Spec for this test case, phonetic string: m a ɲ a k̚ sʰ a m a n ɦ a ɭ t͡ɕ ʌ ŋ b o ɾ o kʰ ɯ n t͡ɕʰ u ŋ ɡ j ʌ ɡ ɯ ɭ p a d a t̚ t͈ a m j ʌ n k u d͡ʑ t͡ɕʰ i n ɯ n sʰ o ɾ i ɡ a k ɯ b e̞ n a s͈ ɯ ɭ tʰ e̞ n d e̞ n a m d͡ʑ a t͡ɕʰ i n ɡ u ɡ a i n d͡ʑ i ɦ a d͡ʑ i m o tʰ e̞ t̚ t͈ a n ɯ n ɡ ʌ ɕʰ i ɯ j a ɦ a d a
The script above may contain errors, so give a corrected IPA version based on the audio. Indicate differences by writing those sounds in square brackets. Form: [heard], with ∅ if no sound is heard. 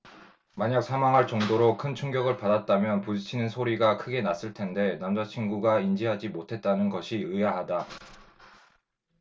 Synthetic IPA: m a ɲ a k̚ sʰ a m a [ŋ] ɦ a ɭ t͡ɕ ʌ ŋ [d] o ɾ o kʰ ɯ n t͡ɕʰ u ŋ ɡ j ʌ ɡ ɯ ɭ p a d a t̚ t͈ a m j ʌ n [p] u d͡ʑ t͡ɕʰ i n ɯ n sʰ o ɾ i ɡ a [kʰ] ɯ [ɡ] e̞ n a s͈ ɯ ɭ tʰ e̞ n d e̞ n a m d͡ʑ a t͡ɕʰ i n ɡ u ɡ a i n d͡ʑ i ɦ a d͡ʑ i m o tʰ e̞ t̚ t͈ a n ɯ n ɡ ʌ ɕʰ i ɯ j a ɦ a d a